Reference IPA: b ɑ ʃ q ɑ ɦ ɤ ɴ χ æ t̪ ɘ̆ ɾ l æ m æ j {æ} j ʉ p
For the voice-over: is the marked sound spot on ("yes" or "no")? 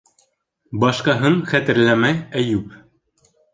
yes